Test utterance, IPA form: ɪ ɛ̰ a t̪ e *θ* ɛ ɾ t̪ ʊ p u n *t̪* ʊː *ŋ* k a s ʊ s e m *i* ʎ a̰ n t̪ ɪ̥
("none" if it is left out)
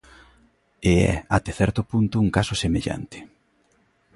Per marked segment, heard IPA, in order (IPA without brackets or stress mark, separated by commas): θ, t̪, ŋ, e